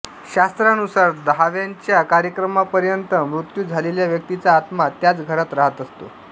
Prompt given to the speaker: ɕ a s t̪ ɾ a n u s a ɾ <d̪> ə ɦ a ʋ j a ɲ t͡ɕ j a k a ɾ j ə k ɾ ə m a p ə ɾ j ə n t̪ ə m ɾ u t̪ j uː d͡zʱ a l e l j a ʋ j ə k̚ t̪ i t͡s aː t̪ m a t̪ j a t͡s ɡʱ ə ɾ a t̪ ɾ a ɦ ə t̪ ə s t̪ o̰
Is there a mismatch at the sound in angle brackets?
no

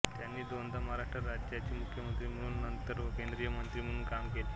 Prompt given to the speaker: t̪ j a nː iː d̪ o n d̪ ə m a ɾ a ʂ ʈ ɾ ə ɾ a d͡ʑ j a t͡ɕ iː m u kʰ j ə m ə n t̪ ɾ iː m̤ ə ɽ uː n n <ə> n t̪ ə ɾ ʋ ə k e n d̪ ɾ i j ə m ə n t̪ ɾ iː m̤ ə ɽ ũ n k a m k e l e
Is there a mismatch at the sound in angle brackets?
no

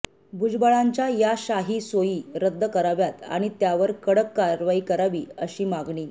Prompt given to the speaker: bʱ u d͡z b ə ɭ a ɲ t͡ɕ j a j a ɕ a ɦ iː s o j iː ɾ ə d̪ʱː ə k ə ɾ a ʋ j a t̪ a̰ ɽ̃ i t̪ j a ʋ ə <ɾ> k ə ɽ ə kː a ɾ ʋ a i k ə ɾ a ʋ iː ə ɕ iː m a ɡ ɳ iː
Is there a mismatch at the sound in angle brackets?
no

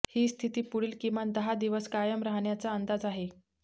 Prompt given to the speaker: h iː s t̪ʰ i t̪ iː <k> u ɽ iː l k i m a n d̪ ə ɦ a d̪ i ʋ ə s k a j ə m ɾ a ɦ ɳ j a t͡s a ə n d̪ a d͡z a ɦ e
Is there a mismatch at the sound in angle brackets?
yes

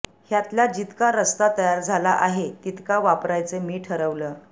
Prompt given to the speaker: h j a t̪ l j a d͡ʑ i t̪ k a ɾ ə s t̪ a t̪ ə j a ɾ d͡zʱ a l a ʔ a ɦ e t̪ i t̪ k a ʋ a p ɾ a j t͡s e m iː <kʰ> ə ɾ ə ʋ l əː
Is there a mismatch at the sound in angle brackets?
yes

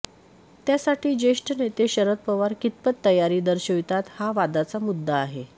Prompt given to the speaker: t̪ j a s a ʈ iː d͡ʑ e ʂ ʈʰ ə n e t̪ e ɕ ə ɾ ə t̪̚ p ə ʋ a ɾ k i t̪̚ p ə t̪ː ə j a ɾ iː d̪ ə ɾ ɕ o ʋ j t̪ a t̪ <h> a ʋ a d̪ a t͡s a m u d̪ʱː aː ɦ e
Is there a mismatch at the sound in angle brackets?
no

